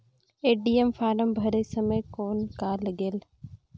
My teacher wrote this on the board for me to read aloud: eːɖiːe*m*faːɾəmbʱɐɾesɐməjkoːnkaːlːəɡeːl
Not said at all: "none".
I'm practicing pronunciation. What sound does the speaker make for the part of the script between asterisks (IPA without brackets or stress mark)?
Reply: m